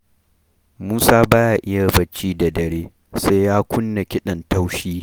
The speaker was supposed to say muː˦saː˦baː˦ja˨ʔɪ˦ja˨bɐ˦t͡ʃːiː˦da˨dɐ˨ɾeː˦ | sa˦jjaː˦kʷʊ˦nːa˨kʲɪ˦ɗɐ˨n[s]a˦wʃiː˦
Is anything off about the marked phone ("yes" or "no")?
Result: yes